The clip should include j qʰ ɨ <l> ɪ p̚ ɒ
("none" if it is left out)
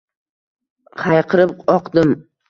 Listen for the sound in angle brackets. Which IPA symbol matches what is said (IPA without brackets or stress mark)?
ɾ